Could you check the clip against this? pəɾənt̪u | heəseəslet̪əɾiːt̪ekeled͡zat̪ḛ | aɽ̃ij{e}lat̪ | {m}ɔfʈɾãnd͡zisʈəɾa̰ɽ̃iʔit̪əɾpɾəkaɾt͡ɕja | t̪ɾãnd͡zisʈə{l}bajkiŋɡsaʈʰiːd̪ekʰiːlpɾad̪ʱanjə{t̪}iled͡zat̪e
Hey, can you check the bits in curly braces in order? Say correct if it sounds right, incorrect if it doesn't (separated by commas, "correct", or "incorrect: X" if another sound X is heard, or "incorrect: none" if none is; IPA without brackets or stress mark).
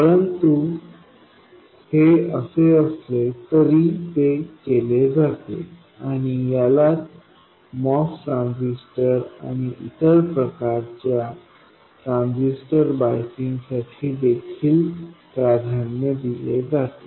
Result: incorrect: a, correct, incorrect: ɾ, incorrect: d̪